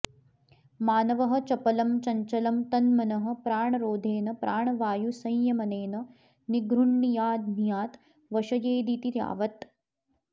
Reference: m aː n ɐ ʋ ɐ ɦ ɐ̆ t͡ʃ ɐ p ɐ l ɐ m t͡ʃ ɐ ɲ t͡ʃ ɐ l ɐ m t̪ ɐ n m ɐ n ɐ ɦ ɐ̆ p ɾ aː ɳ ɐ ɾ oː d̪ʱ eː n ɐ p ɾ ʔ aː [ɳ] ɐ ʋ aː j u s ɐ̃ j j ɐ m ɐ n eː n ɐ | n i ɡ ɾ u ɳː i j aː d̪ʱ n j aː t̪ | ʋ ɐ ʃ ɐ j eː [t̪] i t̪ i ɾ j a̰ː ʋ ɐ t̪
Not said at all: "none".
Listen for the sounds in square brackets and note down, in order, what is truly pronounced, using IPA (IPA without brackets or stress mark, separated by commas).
ɳ, d̪